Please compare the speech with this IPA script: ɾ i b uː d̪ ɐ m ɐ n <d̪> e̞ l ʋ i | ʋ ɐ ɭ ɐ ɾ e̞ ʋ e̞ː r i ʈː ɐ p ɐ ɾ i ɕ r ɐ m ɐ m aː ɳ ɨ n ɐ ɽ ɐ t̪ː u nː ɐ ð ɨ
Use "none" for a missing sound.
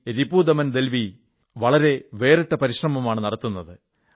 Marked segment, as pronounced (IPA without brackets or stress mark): d̪